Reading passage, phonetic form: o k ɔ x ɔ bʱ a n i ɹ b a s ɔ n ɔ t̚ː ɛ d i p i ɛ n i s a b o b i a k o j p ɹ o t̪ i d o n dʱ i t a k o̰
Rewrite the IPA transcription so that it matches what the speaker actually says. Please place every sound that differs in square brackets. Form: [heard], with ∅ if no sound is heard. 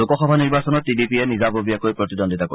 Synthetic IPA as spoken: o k ɔ x ɔ bʱ a n i ɹ b a s ɔ n ɔ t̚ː [i] d i p i ɛ n i [z] a b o b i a k o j p ɹ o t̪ i d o n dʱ i t a k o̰